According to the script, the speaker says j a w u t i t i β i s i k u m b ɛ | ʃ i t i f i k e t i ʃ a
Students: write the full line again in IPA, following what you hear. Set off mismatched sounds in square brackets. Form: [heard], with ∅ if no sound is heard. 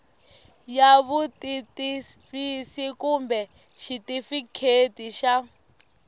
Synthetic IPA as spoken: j a [β] u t i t i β i s i k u m b ɛ | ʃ i t i f i [kʰ] e t i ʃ a